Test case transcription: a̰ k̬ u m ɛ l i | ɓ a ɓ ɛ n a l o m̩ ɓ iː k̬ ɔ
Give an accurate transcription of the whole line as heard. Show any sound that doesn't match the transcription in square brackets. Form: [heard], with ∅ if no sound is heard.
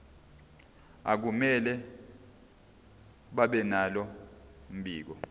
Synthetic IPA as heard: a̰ k̬ u m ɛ l [ɛ] | ɓ a ɓ ɛ n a l [ɔ] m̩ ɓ iː k̬ ɔ

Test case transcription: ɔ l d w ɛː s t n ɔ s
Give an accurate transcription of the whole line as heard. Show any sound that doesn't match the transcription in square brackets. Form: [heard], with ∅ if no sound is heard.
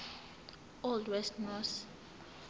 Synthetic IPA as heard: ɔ l d w [ɛ] s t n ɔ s

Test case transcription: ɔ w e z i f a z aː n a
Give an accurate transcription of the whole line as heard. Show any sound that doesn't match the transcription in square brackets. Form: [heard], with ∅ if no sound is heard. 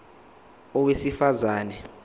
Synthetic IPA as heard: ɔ w e [s] i f a z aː n [ɛ]

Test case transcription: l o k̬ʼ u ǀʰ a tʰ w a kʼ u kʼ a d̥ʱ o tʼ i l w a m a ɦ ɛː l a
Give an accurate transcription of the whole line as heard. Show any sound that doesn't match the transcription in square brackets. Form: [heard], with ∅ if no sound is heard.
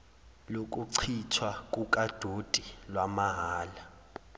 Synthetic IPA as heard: l o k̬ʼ u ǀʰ [i] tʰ w a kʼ u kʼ a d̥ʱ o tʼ i l w a m a ɦ [aː] l a

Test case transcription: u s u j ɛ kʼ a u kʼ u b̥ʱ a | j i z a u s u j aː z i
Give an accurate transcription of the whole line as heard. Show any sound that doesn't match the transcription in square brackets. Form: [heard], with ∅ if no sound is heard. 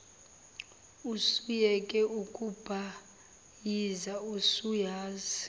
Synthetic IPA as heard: u s u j ɛ kʼ [ɛ] u kʼ u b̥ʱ a | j i z a u s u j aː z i

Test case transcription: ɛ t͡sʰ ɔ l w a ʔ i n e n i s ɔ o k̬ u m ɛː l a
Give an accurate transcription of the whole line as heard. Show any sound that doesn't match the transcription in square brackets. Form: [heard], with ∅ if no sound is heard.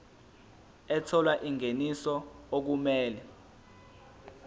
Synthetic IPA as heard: ɛ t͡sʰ ɔ l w a ʔ i [ŋ] e n i s ɔ o k̬ u m ɛː l [ɛ]

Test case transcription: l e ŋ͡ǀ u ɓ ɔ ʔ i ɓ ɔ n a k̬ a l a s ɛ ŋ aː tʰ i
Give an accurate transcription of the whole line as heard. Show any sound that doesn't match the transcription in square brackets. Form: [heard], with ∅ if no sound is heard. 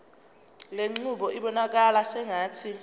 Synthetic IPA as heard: l e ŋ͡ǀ u ɓ ɔ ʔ i ɓ ɔ n a k̬ a l a s ɛ ŋ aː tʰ i

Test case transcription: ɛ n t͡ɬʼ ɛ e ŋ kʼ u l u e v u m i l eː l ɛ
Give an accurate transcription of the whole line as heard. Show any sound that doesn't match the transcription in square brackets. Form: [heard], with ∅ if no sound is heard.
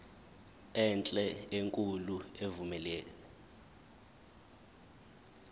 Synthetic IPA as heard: ɛ n t͡ɬʼ ɛ e ŋ kʼ u l u e v u m [ɛ] l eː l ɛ

